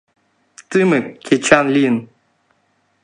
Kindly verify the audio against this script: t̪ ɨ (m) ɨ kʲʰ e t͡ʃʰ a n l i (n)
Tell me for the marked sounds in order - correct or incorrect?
correct, correct

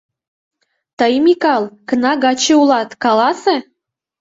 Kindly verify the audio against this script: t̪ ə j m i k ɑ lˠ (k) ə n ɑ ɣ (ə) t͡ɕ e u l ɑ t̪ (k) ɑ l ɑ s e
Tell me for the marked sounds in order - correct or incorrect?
correct, incorrect: ɑ, correct

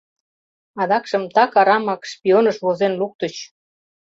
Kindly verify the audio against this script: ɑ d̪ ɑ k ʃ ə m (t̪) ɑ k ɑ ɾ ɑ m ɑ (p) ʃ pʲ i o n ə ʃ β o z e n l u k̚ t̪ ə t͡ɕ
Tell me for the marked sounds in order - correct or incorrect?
correct, incorrect: k

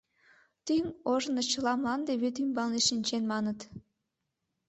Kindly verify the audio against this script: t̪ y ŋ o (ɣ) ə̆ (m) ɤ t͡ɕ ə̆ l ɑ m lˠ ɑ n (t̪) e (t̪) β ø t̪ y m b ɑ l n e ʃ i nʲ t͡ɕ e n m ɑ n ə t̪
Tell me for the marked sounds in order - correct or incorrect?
incorrect: ʒ, incorrect: n, incorrect: d̪, incorrect: none

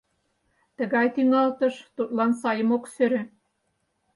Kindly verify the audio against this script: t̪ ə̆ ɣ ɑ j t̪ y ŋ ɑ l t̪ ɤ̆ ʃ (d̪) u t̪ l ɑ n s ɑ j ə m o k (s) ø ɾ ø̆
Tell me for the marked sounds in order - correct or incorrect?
incorrect: t̪, correct

